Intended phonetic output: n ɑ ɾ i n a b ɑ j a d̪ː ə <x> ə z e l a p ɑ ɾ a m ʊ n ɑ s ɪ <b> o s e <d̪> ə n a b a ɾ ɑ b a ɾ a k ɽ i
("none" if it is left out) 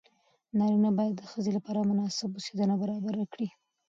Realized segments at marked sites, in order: x, b, d̪

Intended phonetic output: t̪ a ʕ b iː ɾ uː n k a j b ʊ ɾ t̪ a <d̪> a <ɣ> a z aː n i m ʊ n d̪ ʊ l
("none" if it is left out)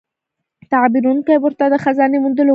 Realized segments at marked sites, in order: d̪, x

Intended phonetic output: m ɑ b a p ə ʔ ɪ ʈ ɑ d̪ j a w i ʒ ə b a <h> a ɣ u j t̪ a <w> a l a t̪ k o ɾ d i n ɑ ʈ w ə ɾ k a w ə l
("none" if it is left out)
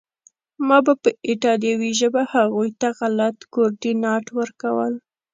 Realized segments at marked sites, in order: h, ɣ

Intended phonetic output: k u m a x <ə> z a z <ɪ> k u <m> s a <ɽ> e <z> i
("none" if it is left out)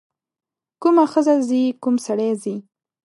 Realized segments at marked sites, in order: ə, i, m, ɽ, z

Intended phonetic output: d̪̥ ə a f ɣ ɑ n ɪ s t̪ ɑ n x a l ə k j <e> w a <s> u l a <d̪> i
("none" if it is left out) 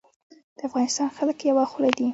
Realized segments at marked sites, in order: a, x, d̪

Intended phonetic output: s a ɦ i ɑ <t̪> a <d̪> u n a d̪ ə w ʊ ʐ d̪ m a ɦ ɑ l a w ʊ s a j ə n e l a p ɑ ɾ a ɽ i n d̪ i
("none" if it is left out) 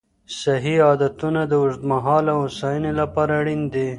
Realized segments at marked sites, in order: d̪, t̪

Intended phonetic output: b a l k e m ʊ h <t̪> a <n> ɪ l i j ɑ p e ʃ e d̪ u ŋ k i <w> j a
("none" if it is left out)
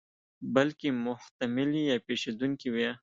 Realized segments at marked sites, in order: t̪, m, w

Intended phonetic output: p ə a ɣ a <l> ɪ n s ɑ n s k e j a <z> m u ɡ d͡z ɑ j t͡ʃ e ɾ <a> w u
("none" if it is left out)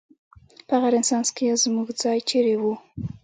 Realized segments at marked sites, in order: ɾ, z, e

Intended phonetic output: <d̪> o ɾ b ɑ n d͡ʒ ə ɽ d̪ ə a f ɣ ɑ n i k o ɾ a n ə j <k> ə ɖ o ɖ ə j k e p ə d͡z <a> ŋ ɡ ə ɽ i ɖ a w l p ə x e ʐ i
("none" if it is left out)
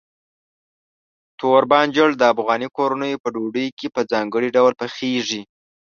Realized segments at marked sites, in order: t̪, p, ɑ

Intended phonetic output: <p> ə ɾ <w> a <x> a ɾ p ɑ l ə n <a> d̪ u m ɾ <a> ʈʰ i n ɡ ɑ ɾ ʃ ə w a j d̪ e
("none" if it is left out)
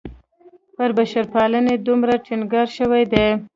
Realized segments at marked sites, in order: p, b, ʃ, e, a

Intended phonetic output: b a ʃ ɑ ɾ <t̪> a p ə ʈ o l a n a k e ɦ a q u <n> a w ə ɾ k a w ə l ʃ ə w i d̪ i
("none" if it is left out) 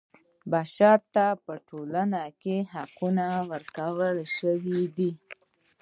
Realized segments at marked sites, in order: t̪, n

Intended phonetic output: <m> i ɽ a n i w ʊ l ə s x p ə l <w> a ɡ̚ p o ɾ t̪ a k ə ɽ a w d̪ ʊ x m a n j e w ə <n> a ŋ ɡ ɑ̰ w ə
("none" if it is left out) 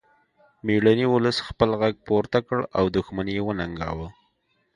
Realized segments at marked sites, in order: m, ɣ, n

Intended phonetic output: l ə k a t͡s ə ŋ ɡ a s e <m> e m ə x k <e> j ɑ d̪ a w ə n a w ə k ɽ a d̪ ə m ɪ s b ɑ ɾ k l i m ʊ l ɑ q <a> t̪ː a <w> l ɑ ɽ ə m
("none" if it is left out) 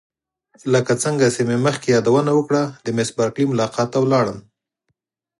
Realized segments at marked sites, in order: m, e, ɑ, w

